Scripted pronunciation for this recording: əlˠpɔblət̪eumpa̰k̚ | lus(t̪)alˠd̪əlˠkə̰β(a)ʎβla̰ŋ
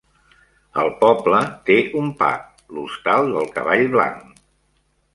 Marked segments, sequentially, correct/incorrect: correct, correct

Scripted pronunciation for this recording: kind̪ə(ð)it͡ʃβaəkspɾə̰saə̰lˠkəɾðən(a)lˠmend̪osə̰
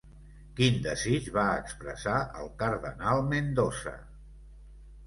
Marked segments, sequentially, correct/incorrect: incorrect: z, correct

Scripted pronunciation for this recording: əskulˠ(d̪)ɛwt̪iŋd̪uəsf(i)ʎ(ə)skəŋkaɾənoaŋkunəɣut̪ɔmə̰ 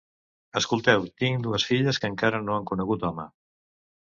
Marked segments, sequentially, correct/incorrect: incorrect: t̪, correct, correct

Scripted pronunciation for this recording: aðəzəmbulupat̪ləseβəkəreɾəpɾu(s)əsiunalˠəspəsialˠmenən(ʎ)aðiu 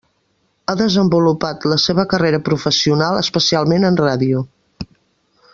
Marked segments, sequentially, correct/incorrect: incorrect: f, incorrect: r

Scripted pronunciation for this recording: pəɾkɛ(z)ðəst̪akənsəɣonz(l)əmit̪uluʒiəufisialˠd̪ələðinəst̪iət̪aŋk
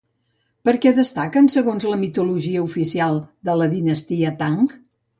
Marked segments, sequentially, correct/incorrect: incorrect: none, correct

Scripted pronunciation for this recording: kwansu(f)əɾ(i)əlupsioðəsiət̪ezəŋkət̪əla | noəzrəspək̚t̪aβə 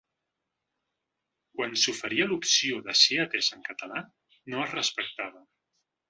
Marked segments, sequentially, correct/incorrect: correct, correct

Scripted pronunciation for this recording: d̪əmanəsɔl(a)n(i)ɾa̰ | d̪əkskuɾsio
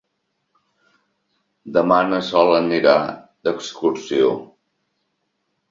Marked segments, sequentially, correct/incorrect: incorrect: ə, correct

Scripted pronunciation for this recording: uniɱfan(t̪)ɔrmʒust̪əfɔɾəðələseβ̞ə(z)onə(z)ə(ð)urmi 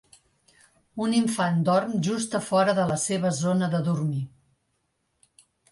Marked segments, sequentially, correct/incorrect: incorrect: d̪, correct, incorrect: ð, correct

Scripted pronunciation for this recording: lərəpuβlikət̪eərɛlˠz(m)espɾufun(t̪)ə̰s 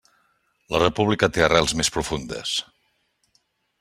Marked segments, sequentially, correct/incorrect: correct, incorrect: d̪

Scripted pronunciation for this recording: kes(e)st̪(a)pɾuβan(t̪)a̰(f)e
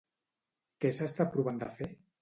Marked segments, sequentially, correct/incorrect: incorrect: a, correct, incorrect: d̪, correct

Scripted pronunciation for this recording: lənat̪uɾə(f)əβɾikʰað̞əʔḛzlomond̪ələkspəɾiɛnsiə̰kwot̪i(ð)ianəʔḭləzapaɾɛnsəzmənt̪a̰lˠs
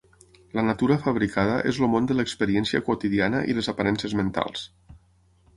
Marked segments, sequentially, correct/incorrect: correct, correct

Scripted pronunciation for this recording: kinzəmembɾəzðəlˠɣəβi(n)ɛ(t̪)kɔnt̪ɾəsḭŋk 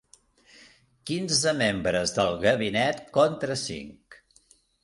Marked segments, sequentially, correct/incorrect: correct, correct

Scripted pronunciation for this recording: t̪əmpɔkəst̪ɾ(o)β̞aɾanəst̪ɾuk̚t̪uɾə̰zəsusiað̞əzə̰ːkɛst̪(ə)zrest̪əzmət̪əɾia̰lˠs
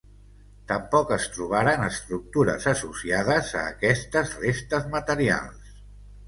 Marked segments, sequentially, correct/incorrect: incorrect: u, correct

